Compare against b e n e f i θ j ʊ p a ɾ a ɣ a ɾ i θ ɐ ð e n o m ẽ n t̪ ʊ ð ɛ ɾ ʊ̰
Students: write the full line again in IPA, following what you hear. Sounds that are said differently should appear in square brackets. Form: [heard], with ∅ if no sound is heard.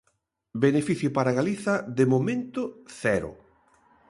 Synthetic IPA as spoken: b e n e f i θ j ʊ p a ɾ a ɣ a [l] i θ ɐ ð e [m] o m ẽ n t̪ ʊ [θ] ɛ ɾ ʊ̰

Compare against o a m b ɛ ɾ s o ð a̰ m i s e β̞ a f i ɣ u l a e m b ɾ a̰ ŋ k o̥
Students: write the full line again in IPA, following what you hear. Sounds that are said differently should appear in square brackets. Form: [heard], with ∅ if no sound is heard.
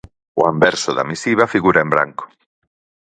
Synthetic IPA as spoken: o a m b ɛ ɾ s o ð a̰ m i s [i] β̞ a f i ɣ u [ɾ] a e m b ɾ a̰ ŋ k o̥

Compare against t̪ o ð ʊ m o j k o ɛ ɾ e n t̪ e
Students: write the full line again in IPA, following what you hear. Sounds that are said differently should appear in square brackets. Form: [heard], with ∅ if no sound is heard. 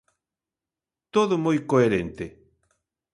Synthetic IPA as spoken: t̪ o ð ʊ m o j k o [e] ɾ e n t̪ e

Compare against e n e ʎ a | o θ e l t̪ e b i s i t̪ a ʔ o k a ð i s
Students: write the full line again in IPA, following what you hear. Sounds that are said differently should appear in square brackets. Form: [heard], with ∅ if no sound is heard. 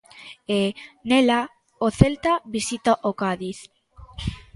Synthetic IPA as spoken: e n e [l] a | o θ e l t̪ [a] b i s i t̪ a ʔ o k a ð i [θ]

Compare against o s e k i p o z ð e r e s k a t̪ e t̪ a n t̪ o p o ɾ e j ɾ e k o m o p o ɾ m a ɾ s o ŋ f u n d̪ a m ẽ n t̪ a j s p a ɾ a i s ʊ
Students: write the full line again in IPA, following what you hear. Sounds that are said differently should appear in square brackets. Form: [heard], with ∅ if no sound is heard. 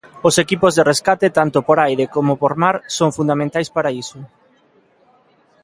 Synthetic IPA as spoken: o s e k i p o z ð e r e s k a t̪ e t̪ a n t̪ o p o ɾ [a] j ɾ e k o m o p o ɾ m a ɾ s o ŋ f u n d̪ a m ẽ n t̪ a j s p a ɾ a i s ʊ

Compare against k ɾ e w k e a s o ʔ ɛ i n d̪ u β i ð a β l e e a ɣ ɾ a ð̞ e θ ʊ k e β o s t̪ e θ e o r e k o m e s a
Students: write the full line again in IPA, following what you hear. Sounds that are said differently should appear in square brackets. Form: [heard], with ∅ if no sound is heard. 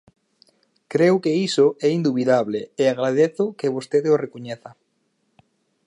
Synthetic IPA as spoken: k ɾ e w k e [i] s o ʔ ɛ i n d̪ u β i ð a β l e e a ɣ ɾ a ð̞ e θ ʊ k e β o s t̪ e [ð] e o r e k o [ɲ] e [θ] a

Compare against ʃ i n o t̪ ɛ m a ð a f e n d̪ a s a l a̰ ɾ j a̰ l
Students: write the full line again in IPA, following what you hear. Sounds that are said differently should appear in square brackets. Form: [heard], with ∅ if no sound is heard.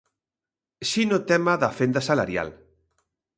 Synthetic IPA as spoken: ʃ i n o t̪ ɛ m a ð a f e n d̪ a s a l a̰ ɾ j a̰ l

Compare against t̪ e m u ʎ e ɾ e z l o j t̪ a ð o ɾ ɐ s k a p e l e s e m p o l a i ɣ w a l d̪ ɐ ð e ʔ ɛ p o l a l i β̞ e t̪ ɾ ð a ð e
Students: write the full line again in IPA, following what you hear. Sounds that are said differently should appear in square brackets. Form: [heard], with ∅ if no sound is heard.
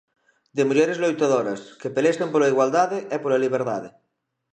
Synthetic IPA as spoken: [d̪] e m u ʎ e ɾ e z l o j t̪ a ð o ɾ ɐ s k [e] p e l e s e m p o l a i ɣ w a l d̪ [a] ð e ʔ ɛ p o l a l i β̞ e [∅] ɾ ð a ð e

